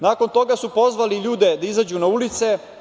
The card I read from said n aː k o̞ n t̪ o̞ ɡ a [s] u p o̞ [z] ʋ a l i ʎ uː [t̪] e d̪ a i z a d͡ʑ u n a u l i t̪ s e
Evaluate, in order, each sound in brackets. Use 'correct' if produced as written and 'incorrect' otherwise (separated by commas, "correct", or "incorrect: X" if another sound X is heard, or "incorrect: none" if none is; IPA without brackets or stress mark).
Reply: correct, correct, incorrect: d̪